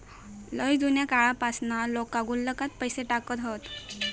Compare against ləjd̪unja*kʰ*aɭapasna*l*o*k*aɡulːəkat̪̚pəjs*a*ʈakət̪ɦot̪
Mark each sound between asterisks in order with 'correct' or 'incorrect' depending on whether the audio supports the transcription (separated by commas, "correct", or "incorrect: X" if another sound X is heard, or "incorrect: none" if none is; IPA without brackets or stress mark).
incorrect: k, correct, correct, incorrect: e